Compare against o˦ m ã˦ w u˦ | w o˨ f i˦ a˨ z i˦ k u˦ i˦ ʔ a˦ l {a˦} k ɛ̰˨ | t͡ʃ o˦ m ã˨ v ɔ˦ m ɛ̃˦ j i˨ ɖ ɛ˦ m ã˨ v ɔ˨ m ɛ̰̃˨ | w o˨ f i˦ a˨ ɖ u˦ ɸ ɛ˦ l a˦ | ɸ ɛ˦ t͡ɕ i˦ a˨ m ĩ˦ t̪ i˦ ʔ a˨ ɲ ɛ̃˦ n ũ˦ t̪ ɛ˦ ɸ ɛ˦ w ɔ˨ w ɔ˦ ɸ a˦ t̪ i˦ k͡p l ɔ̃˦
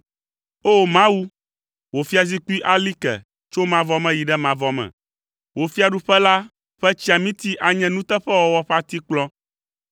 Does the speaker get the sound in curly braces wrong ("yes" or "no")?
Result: yes